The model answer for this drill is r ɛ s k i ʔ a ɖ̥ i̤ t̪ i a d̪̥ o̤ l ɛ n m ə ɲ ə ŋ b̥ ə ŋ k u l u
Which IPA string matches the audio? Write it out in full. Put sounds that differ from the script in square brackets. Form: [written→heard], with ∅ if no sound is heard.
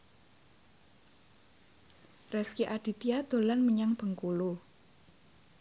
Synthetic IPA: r ɛ s k i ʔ a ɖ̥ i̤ t̪ i a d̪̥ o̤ l [ɛ→a] n m ə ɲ [ə→a] ŋ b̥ ə ŋ k u l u